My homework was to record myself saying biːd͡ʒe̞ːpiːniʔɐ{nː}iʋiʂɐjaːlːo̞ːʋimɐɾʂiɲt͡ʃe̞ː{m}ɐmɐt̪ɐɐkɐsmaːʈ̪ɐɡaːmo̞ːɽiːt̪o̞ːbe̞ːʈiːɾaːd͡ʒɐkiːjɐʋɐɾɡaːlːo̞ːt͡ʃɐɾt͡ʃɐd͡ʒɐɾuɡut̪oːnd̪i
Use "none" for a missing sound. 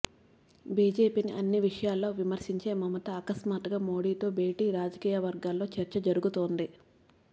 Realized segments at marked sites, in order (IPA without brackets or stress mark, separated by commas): nː, m